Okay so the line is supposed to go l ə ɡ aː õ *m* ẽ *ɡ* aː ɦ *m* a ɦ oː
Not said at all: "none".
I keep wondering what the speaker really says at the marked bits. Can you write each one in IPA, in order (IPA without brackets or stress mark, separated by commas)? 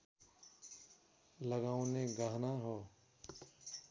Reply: n, ɡ, n